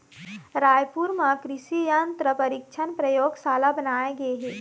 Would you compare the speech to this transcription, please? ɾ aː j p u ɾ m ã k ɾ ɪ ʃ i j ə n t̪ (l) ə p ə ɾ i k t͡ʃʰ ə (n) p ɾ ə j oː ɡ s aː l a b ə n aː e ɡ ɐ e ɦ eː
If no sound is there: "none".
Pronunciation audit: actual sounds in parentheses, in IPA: ɾ, n

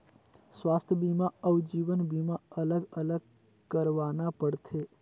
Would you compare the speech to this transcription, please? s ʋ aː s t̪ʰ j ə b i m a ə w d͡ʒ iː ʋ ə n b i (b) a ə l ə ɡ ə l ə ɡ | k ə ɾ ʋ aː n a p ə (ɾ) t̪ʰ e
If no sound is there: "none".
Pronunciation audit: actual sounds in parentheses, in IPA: m, ɽ

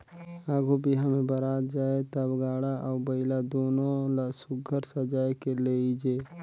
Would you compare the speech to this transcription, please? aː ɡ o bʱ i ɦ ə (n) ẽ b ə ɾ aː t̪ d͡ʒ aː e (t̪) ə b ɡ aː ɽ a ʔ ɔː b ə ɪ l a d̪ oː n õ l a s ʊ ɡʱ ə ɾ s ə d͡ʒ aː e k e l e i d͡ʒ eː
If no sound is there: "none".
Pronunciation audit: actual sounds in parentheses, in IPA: m, t̪

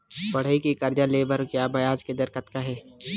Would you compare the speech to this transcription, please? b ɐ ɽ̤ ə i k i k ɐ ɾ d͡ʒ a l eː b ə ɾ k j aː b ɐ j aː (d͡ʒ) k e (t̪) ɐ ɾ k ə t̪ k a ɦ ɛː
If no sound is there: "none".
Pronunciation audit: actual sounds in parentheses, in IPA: d͡ʒ, d̪

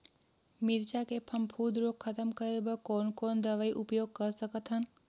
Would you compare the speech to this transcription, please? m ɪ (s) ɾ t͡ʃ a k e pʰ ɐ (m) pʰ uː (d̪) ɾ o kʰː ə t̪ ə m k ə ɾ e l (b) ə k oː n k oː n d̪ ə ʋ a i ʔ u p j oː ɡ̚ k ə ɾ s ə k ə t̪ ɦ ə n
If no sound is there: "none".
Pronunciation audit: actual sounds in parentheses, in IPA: none, m, d̪, b

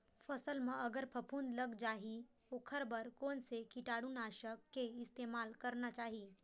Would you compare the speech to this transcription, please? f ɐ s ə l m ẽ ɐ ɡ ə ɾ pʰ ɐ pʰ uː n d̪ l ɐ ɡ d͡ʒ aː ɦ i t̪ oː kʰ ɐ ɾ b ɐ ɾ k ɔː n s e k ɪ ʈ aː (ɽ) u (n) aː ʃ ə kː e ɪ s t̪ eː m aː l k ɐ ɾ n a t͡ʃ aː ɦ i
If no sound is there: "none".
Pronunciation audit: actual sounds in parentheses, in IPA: ɽ, n

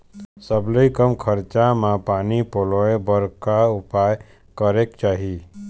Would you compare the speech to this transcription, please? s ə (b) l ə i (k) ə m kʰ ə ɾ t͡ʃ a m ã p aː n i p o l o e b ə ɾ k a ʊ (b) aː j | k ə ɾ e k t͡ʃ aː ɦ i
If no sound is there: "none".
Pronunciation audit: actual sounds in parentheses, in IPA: b, k, p

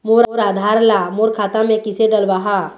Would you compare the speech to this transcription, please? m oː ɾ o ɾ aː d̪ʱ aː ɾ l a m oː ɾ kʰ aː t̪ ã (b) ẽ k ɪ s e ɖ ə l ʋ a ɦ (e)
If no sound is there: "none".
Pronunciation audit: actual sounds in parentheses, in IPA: m, a

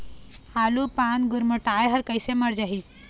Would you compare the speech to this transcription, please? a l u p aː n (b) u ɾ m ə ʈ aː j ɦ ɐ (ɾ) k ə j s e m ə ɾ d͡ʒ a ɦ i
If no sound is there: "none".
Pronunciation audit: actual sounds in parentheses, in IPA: ɡ, ɾ

